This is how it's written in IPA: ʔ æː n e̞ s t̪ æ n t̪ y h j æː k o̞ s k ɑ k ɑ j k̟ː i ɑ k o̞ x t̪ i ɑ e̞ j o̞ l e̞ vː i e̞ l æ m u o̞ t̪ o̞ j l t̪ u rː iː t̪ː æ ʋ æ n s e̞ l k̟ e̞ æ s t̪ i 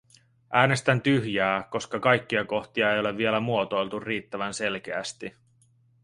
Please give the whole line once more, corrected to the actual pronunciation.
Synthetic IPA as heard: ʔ æː n e̞ s t̪ æ n t̪ y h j æː k o̞ s k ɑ k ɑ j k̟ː i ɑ k o̞ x t̪ i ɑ e̞ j o̞ l e̞ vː i e̞ l æ m u o̞ t̪ o̞ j l t̪ u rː iː t̪ː æ ʋ æ n s e̞ l k̟ e̞ æ s t̪ i

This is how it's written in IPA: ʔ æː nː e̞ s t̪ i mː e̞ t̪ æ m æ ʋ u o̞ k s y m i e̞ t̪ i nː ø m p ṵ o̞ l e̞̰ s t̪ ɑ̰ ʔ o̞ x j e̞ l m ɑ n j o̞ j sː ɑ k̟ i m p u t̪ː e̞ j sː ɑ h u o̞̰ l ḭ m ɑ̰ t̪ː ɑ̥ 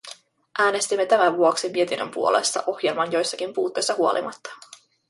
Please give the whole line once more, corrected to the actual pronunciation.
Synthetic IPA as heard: ʔ æː n e̞ s t̪ i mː e̞ t̪ æ m æ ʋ u o̞ k s i m i e̞ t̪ i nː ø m p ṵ o̞ l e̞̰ s t̪ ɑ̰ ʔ o̞ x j e̞ l m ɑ n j o̞ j sː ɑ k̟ i m p uː t̪ː e̞ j sː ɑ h u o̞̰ l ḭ m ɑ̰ t̪ː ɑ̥

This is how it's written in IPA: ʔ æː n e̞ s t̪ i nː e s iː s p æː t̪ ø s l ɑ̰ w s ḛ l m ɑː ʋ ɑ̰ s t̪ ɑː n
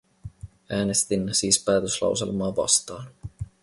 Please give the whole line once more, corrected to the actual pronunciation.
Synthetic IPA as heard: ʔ æː n e̞ s t̪ i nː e s iː s p æː t̪ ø s l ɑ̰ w s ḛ l m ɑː ʋ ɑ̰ s t̪ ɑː n

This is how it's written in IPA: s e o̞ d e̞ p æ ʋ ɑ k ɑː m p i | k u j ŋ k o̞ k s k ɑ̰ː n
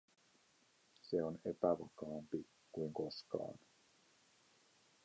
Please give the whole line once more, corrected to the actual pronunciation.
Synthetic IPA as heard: s e o̞ n e̞ p æ ʋ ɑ k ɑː m p i | k u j ŋ k o̞ s k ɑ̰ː n

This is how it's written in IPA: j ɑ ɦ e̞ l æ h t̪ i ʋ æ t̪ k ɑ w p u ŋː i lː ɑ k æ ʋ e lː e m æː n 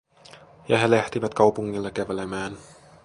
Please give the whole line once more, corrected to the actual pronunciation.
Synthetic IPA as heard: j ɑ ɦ e̞ l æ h t̪ i ʋ æ t̪ k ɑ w p u ŋː i lː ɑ k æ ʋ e l e m æː n

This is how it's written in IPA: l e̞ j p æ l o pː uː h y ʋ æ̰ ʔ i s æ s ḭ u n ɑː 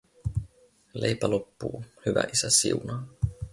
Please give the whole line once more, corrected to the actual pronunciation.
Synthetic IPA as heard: l e̞ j p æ l o pː uː h y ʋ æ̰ ʔ i s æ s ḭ u n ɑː

